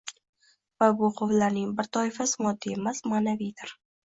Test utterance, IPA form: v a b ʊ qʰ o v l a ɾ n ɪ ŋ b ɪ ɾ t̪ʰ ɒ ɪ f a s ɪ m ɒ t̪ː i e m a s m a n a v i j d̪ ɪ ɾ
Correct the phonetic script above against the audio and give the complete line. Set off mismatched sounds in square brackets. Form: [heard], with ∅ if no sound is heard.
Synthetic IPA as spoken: v a b ʊ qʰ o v l a ɾ n ɪ ŋ b ɪ ɾ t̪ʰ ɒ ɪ f a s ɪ m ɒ [d̪ː] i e m a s m a n a v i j d̪ ɪ ɾ